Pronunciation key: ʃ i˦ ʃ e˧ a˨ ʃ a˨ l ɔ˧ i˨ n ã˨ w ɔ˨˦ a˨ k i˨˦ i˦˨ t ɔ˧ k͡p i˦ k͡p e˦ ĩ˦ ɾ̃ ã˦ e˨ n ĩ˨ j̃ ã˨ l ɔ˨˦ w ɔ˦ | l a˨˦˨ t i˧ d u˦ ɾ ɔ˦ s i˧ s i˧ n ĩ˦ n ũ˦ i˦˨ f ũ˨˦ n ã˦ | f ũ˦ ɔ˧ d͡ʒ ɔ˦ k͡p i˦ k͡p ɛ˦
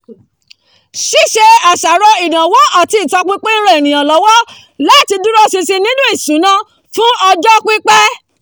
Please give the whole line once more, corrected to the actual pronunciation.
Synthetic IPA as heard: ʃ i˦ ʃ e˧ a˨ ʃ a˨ ɾ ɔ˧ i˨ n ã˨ w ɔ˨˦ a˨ t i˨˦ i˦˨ t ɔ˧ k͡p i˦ k͡p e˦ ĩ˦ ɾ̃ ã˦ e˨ n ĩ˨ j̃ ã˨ l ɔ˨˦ w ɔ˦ | l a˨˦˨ t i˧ d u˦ ɾ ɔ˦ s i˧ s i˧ n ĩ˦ n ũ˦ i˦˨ s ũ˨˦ n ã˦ | f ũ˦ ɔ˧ d͡ʒ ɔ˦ k͡p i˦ k͡p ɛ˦